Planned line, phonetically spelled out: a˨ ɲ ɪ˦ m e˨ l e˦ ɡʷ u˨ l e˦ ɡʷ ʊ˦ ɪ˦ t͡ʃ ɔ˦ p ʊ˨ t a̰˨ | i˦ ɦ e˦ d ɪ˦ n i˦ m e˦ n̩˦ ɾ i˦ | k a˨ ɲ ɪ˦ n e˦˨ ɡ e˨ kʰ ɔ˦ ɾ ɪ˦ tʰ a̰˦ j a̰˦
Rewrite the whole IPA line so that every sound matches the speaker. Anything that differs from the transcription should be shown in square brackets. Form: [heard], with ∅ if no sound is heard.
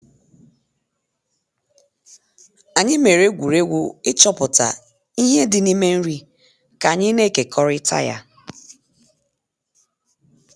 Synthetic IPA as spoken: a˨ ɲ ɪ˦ m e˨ [ɾ] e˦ ɡʷ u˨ [ɾ] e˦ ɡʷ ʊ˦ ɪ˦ t͡ʃ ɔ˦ p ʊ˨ t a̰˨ | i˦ ɦ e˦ d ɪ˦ n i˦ m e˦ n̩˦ ɾ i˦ | k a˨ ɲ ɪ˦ n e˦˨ [k] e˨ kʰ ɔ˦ ɾ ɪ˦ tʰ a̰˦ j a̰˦